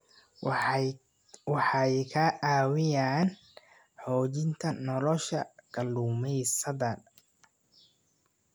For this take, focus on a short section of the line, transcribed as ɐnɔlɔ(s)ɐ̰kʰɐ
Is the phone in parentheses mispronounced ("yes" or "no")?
yes